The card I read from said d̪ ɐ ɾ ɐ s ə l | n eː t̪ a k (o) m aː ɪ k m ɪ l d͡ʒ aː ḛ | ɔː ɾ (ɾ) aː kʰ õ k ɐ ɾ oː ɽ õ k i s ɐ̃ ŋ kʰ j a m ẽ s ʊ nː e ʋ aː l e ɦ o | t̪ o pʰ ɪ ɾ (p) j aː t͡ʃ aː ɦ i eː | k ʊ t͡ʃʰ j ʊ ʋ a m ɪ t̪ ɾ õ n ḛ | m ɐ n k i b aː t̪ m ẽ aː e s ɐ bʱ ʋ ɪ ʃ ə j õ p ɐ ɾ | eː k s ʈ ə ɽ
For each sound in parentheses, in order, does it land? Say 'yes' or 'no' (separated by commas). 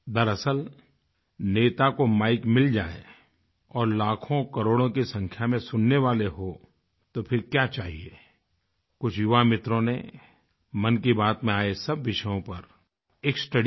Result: yes, no, no